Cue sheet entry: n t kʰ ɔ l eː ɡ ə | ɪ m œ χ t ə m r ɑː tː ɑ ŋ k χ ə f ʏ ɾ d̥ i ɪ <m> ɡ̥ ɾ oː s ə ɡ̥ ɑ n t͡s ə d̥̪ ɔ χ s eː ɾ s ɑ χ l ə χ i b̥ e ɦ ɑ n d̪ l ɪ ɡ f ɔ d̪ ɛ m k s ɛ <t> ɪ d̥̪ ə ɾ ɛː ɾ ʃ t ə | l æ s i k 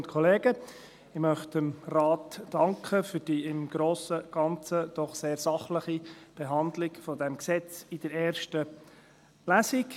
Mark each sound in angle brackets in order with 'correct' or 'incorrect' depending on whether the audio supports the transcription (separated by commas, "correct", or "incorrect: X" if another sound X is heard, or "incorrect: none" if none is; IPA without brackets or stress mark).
correct, incorrect: t͡s